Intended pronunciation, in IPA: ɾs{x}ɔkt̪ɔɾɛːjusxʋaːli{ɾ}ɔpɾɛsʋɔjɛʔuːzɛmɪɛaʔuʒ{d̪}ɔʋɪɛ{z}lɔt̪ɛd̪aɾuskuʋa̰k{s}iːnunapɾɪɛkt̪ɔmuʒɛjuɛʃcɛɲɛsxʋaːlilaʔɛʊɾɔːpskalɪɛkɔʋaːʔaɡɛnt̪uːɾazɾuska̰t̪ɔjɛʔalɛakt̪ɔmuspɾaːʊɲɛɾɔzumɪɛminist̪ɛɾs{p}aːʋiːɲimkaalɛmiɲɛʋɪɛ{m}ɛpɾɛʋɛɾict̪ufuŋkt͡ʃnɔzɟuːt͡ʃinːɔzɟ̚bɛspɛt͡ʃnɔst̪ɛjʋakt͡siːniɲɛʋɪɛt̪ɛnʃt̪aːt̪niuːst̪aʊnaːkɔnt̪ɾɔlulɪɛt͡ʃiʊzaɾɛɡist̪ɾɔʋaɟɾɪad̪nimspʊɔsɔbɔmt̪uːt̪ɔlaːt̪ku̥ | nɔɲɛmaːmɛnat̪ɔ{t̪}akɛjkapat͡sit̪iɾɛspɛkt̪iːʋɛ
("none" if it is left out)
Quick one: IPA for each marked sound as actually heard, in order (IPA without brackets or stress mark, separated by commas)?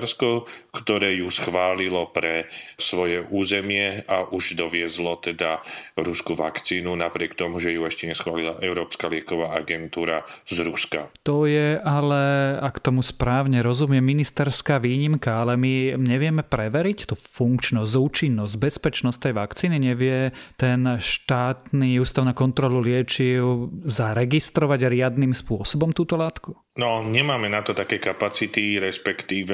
k, l, d̪, z, t͡s, k, m, t̪